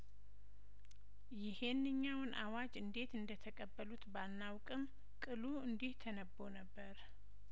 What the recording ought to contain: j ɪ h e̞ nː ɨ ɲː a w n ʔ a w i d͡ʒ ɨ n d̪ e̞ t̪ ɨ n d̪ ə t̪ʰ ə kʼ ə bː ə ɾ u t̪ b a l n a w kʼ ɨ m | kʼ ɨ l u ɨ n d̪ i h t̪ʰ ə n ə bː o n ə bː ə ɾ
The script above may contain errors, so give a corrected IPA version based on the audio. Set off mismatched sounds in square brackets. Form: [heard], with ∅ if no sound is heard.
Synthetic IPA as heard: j ɪ h e̞ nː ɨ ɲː a w n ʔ a w [a] d͡ʒ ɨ n d̪ e̞ t̪ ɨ n d̪ ə t̪ʰ ə kʼ ə bː ə [l] u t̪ b a l n a w kʼ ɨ m | kʼ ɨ l u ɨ n d̪ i h t̪ʰ ə n ə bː o n ə bː ə ɾ